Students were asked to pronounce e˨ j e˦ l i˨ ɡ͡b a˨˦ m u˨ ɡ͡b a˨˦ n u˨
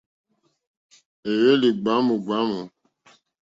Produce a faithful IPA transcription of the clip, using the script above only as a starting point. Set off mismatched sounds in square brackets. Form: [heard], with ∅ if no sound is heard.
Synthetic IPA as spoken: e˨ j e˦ l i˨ ɡ͡b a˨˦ m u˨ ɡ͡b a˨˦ [m] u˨